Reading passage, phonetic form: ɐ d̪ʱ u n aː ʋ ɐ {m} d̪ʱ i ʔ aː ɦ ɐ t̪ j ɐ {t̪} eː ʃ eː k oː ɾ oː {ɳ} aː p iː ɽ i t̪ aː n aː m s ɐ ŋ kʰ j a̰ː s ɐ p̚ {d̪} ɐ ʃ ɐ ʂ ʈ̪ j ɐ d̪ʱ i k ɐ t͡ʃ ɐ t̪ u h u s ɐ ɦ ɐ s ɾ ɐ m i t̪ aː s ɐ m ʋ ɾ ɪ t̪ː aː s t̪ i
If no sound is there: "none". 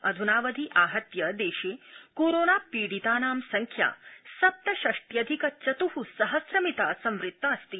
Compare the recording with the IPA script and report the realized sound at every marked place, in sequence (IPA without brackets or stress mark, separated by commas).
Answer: none, d̪, n, t̪